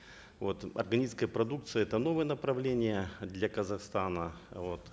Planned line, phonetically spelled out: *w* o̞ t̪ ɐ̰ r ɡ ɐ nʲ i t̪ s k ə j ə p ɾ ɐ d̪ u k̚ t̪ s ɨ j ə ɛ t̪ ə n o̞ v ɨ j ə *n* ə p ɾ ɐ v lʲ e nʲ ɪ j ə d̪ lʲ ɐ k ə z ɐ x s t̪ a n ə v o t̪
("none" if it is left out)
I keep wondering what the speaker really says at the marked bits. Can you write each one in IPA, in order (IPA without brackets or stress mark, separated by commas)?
v, n